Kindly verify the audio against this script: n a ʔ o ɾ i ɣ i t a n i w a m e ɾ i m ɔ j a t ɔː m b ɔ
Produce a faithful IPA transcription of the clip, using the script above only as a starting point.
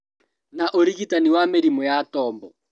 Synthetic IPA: n a ʔ o ɾ i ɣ i t a n i w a m e ɾ i m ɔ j a t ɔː m b ɔ